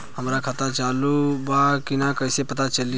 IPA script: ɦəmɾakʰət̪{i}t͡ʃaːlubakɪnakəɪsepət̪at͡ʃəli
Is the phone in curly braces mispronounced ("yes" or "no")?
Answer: yes